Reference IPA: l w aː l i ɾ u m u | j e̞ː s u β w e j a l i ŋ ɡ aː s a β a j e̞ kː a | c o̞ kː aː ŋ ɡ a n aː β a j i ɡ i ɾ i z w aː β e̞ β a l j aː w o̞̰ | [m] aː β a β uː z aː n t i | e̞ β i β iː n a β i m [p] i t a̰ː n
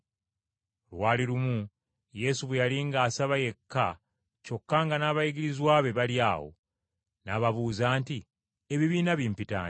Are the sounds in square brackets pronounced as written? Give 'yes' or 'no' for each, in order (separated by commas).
no, yes